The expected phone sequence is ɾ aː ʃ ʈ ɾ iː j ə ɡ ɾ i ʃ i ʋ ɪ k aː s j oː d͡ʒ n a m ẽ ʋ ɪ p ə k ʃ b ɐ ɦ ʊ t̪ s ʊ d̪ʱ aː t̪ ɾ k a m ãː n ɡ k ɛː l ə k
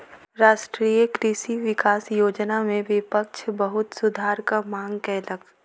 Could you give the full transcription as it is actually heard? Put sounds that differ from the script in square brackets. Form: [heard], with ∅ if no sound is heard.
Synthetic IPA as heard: ɾ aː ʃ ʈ ɾ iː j ə [k] ɾ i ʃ i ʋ ɪ k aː s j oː d͡ʒ n a m ẽ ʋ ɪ p ə k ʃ b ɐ ɦ ʊ t̪ s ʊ d̪ʱ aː [∅] ɾ k a m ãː [ŋ] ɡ k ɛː l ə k